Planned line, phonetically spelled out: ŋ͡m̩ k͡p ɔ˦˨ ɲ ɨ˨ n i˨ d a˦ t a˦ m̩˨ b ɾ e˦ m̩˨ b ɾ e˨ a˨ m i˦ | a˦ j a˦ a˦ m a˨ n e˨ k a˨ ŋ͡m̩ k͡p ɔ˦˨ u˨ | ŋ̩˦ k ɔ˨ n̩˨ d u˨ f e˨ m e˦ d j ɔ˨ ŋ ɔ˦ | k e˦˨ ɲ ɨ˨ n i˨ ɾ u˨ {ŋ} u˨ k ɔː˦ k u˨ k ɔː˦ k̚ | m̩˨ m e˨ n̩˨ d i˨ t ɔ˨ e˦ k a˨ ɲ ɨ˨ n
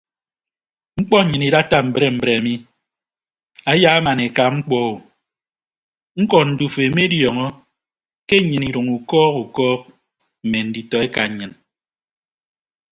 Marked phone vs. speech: correct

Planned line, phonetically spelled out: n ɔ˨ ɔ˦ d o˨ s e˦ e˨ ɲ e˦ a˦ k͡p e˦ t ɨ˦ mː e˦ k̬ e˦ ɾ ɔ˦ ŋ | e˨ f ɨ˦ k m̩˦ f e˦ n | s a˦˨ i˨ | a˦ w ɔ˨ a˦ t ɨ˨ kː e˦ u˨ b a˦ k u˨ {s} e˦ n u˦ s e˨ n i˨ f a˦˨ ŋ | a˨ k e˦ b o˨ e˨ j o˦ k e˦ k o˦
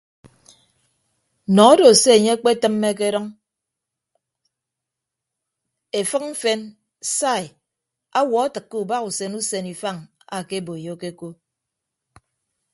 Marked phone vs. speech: correct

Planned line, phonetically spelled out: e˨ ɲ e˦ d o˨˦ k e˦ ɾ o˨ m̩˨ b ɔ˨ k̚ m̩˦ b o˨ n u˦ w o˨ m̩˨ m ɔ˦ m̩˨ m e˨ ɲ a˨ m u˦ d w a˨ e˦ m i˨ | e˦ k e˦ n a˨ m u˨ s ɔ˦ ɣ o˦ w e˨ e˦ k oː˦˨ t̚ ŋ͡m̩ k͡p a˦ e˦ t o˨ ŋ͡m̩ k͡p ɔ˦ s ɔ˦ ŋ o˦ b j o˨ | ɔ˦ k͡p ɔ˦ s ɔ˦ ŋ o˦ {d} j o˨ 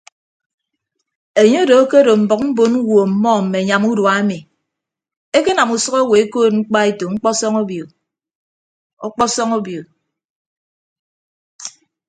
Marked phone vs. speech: incorrect: b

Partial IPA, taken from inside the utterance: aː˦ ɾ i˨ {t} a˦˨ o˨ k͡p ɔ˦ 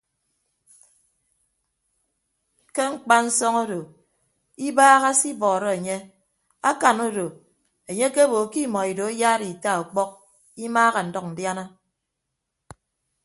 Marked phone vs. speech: correct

